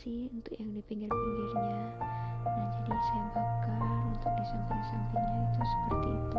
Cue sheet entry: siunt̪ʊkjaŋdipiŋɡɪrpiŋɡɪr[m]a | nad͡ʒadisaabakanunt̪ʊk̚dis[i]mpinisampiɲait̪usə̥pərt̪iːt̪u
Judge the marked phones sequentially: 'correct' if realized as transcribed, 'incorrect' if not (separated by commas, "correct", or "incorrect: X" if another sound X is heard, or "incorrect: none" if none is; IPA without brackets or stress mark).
incorrect: ɲ, incorrect: a